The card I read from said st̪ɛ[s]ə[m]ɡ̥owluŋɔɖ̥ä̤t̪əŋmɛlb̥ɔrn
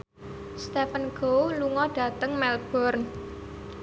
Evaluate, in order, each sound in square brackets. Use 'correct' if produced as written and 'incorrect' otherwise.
incorrect, incorrect

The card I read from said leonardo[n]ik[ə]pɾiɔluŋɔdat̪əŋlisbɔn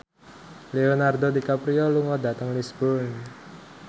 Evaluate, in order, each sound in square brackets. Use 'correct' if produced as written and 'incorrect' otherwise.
incorrect, incorrect

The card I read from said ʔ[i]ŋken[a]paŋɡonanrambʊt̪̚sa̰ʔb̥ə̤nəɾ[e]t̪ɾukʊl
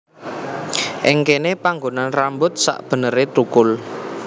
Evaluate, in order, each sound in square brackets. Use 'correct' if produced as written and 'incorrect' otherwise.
incorrect, incorrect, correct

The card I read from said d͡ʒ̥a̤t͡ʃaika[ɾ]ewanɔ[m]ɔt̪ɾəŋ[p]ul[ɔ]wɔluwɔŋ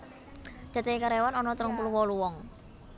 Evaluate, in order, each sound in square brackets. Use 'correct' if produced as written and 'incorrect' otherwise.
correct, incorrect, correct, incorrect

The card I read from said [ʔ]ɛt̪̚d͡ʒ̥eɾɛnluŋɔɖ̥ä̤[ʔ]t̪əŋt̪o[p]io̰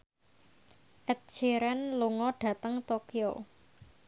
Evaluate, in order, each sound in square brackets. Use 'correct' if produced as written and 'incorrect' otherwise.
correct, incorrect, incorrect

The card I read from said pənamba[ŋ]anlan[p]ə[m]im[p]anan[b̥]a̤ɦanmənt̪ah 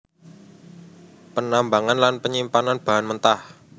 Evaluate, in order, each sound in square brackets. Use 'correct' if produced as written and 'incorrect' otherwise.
correct, correct, incorrect, correct, correct

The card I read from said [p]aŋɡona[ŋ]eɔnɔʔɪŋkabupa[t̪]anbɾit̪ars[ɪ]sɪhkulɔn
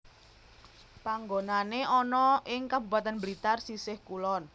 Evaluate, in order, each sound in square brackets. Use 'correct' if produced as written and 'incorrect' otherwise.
correct, incorrect, correct, incorrect

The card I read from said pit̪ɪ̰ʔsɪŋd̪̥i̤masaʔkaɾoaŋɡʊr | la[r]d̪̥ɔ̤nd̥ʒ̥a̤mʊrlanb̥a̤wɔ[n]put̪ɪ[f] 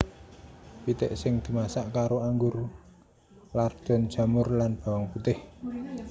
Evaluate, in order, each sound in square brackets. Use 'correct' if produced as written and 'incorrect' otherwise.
correct, incorrect, incorrect

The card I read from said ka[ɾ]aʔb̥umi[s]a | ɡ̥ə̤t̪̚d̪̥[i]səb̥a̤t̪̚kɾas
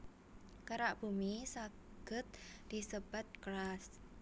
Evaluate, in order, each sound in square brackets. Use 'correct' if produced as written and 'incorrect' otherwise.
correct, correct, correct

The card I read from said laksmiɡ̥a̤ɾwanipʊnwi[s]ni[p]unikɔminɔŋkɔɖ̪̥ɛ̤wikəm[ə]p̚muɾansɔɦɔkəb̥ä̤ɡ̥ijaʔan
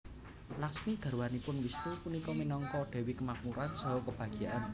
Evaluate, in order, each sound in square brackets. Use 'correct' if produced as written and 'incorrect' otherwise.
correct, correct, incorrect

